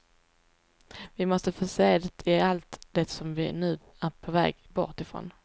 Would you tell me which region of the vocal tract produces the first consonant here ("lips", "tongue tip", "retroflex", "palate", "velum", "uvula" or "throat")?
lips